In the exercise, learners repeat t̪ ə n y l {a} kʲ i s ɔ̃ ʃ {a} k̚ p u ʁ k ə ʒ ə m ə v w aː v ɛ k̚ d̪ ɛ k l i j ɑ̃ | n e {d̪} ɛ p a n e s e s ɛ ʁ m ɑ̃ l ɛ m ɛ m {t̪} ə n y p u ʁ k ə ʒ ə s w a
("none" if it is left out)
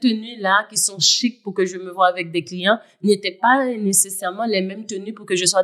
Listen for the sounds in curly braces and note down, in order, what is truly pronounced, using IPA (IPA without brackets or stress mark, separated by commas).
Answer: a, i, t̪, t̪